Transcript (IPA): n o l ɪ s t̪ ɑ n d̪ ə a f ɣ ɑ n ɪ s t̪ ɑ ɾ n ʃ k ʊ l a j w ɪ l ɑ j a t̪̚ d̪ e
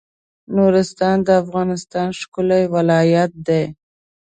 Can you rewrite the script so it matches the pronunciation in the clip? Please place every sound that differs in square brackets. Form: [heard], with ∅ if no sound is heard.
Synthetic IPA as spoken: n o [ɾ] ɪ s t̪ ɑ n d̪ ə a f ɣ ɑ n ɪ s t̪ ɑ [∅] n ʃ k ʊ l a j w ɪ l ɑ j a t̪̚ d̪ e